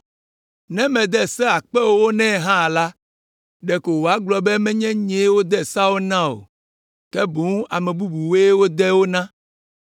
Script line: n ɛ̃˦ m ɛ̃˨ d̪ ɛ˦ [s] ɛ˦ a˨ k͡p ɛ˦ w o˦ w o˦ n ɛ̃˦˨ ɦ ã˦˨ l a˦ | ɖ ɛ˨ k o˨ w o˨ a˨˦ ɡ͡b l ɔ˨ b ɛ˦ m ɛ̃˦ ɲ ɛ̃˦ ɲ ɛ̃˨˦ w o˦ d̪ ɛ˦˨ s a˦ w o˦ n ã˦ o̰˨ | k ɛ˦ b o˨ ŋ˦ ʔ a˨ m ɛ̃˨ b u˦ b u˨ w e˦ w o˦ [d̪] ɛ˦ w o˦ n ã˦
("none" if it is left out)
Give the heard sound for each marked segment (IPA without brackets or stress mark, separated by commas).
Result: s, d̪